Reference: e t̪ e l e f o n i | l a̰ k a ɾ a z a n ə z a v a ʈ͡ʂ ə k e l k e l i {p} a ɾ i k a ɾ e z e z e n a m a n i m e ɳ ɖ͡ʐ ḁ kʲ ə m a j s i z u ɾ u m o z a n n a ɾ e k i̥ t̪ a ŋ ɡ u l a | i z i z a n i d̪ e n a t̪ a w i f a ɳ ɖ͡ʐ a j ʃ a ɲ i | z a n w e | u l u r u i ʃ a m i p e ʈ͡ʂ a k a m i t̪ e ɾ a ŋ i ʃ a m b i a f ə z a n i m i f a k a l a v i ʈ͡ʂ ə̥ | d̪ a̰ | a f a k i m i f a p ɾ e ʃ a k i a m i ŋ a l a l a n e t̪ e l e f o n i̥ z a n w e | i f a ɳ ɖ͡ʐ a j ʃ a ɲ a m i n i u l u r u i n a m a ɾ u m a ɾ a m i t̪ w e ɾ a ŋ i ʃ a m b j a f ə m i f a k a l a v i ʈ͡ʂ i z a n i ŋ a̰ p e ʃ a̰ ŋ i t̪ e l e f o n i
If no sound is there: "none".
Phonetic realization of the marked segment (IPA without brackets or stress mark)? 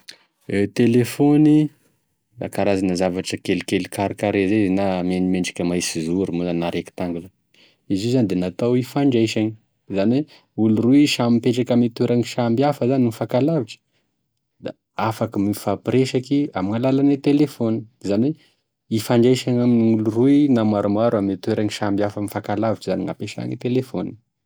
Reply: k